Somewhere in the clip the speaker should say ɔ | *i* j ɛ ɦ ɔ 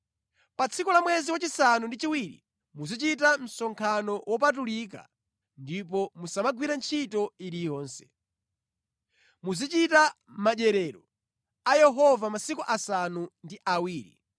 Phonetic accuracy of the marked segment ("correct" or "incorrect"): incorrect